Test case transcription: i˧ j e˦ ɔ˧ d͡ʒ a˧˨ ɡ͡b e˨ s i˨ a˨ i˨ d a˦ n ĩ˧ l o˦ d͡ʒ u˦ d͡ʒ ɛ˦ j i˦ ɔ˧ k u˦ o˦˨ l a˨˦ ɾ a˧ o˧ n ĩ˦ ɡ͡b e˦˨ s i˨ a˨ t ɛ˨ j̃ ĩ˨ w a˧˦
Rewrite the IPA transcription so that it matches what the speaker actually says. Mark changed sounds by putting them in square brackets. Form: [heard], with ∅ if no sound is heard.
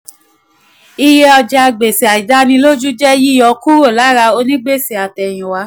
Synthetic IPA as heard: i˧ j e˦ ɔ˧ d͡ʒ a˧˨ ɡ͡b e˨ s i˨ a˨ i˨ d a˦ n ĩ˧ l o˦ d͡ʒ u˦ d͡ʒ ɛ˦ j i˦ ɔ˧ k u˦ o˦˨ l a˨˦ ɾ a˧ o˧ n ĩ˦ ɡ͡b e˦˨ s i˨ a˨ t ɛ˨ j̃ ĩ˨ w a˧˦